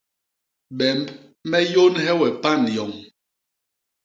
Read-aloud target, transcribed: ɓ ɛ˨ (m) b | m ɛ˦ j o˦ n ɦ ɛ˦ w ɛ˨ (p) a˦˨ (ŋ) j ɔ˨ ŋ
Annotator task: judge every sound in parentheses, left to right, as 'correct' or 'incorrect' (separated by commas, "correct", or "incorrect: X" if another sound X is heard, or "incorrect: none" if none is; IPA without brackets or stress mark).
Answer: correct, correct, incorrect: n